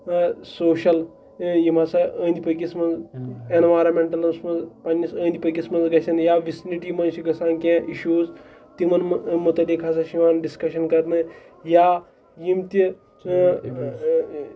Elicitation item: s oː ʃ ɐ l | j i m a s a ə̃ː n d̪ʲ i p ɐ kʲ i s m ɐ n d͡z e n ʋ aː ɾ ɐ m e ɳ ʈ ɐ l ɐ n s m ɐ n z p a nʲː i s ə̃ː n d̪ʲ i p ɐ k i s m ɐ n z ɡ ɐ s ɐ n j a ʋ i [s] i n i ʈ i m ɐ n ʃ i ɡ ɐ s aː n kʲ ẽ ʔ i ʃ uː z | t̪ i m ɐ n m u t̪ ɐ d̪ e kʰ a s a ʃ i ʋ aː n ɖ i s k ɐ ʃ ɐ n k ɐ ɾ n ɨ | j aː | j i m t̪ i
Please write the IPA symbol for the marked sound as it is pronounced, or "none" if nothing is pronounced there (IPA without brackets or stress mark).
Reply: s